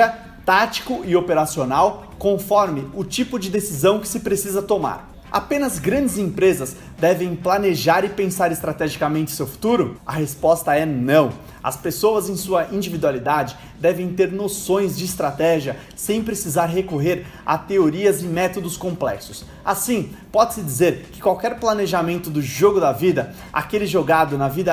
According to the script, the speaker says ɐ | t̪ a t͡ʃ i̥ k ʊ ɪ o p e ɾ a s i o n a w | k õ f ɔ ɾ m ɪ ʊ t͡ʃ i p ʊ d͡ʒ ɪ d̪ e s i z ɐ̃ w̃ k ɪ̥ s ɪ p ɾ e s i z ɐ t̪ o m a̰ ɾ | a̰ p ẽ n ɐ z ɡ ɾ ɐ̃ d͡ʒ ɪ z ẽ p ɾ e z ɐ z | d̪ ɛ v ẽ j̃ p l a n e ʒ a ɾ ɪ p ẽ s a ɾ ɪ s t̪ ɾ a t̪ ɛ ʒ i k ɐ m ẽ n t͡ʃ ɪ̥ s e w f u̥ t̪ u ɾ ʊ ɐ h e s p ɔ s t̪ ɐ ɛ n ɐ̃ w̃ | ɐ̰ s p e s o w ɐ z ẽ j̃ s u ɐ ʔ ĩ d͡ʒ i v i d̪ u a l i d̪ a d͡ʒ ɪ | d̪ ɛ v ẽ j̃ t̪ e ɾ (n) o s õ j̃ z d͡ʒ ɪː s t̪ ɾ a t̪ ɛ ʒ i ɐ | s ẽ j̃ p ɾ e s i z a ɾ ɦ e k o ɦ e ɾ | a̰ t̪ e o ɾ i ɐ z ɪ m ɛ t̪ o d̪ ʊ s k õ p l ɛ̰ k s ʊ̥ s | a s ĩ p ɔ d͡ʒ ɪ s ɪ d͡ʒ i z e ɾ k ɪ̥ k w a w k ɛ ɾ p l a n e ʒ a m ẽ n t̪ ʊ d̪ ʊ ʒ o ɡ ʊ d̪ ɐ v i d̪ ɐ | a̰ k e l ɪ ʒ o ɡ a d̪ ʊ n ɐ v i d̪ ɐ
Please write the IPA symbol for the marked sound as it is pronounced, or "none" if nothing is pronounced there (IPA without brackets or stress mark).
n